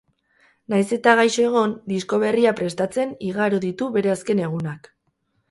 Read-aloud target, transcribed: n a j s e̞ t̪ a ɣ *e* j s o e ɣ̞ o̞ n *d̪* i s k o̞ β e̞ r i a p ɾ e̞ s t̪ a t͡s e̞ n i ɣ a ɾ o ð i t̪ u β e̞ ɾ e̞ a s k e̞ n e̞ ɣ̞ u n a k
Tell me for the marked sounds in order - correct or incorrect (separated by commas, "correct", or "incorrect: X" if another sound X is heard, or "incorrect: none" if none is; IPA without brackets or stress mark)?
incorrect: a, correct